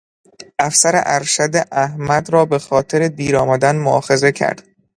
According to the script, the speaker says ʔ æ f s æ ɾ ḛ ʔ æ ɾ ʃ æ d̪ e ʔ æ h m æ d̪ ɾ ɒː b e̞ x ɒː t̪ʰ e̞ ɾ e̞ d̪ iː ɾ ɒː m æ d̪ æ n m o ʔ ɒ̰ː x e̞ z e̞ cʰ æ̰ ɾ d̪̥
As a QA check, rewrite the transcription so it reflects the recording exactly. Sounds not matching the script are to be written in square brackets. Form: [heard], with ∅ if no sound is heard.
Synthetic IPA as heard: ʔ æ f s æ ɾ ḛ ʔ æ ɾ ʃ æ d̪ e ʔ æ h m æ d̪ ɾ ɒː b e̞ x ɒː t̪ʰ e̞ ɾ e̞ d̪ iː ɾ ɒː m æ d̪ æ n m o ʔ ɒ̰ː x e̞ z e̞ cʰ æ̰ ɾ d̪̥